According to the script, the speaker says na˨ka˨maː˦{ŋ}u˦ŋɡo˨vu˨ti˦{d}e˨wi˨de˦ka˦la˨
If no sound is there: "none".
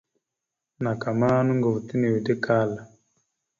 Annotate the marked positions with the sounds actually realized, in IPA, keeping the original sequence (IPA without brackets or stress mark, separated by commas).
n, n